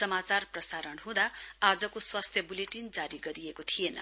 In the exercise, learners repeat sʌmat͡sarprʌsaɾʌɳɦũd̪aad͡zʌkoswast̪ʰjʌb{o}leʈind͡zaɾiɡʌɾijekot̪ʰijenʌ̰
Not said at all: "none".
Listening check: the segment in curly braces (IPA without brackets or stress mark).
u